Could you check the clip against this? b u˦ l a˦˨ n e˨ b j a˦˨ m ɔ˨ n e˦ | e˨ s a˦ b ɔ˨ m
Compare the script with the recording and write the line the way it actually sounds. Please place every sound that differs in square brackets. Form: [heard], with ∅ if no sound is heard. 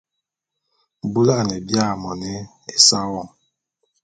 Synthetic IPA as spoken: b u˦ l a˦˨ n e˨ b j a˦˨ m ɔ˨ n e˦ | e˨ s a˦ [w] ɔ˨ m